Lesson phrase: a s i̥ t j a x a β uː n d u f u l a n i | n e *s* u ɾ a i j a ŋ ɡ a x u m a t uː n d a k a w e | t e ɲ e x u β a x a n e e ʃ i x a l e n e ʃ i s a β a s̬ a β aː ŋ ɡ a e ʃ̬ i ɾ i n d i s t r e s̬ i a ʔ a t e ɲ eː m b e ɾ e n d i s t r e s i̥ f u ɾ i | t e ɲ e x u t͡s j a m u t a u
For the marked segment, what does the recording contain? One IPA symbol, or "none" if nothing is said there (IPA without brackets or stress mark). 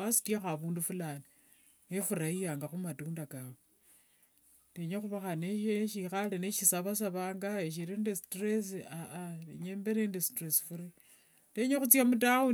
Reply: f